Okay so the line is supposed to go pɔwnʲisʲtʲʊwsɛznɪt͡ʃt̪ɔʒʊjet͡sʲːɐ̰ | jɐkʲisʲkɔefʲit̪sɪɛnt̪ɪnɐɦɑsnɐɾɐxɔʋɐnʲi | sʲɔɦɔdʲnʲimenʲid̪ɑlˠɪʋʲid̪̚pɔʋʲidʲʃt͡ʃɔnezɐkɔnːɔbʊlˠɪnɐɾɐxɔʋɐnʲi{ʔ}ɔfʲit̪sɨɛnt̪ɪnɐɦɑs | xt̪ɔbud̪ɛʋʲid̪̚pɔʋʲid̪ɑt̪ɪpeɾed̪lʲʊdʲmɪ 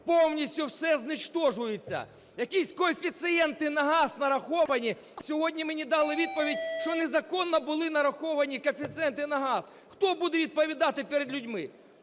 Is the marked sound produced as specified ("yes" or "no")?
no